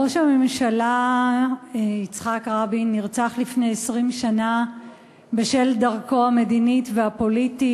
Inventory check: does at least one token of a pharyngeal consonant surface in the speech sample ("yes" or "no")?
no